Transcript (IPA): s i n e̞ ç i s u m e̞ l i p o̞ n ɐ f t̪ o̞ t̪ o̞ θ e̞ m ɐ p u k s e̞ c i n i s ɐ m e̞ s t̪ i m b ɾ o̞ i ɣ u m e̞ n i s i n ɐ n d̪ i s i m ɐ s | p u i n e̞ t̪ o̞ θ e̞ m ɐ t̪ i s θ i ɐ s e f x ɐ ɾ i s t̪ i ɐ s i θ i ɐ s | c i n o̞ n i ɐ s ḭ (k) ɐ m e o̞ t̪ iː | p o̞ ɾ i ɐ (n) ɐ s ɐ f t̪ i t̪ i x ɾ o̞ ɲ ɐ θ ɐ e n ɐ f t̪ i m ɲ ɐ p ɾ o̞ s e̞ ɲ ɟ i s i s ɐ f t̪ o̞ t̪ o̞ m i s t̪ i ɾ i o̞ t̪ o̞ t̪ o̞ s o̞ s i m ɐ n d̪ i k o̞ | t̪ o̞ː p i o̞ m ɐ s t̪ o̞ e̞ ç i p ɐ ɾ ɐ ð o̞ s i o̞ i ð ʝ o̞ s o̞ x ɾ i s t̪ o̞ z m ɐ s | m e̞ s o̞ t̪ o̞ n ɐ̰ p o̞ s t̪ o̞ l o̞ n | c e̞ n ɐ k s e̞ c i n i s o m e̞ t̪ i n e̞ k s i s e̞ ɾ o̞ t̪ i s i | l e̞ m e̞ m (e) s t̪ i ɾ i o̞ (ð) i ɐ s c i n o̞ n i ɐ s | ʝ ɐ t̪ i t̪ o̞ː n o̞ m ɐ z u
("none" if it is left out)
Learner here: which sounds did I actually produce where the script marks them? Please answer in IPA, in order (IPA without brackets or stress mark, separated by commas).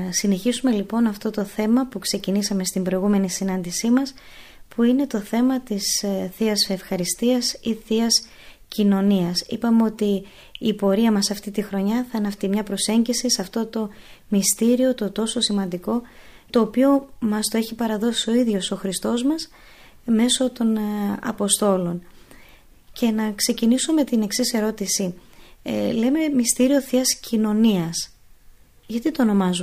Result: p, m, i, θ